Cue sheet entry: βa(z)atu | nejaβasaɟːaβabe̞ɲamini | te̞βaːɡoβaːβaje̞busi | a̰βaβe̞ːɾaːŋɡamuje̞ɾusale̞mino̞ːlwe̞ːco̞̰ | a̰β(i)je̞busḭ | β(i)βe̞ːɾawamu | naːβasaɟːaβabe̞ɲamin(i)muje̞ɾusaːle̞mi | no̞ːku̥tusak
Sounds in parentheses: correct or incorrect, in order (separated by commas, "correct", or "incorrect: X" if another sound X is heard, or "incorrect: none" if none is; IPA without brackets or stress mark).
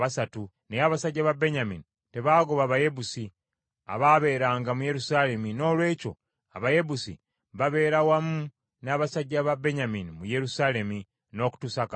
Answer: incorrect: s, incorrect: a, incorrect: a, correct